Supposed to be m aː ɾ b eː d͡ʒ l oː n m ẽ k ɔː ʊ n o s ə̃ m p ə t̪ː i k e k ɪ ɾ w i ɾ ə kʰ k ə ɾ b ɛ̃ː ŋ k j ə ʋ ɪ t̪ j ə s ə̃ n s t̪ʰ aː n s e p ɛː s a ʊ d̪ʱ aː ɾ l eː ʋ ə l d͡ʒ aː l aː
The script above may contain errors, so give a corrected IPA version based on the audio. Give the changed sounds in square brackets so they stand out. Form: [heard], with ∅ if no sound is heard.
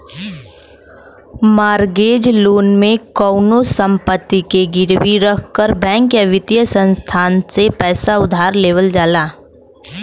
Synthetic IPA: m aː ɾ [ɡ] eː d͡ʒ l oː n m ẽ k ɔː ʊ n o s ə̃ m p ə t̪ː i k e [ɡ] ɪ ɾ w i ɾ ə kʰ k ə ɾ b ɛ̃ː ŋ k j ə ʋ ɪ t̪ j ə s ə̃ n s t̪ʰ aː n s e p ɛː s a ʊ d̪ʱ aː ɾ l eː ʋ ə l d͡ʒ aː l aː